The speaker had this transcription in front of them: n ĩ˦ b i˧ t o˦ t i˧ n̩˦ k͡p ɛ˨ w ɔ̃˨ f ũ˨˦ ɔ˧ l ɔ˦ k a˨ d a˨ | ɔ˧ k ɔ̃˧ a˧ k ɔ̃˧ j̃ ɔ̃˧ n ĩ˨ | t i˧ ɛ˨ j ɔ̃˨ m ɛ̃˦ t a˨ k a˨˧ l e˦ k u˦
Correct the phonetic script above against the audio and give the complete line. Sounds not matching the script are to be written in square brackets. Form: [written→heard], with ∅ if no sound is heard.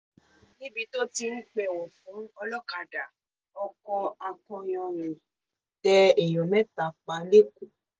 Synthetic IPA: n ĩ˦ b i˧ t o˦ t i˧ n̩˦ k͡p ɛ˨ w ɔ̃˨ f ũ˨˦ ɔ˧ l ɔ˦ k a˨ d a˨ | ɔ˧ k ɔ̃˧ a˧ k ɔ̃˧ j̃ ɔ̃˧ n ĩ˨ | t [i˧→ɛ˧] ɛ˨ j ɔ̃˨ m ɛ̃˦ t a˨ [k→k͡p] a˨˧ l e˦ k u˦